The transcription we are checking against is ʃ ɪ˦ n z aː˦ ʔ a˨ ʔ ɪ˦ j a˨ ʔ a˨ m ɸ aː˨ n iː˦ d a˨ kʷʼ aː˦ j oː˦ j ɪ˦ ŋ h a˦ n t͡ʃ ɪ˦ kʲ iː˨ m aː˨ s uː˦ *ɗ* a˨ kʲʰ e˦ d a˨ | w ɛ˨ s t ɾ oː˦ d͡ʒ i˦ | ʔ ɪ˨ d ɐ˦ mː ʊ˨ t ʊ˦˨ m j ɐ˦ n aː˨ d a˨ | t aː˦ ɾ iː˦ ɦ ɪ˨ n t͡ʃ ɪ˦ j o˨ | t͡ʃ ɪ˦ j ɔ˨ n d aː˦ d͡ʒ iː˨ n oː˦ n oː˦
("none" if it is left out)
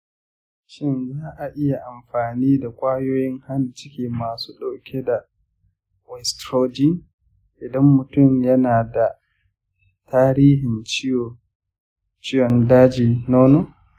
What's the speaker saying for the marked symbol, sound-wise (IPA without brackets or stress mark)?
ɗ